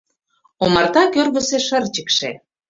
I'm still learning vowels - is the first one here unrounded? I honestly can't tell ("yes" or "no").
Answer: no